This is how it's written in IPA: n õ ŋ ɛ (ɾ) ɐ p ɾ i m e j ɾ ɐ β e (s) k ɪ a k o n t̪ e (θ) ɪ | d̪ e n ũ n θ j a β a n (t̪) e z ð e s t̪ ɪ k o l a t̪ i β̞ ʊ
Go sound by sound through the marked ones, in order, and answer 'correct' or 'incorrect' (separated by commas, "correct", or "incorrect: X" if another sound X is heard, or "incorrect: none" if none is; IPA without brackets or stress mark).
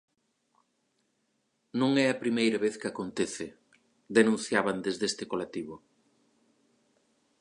incorrect: none, incorrect: θ, correct, incorrect: d̪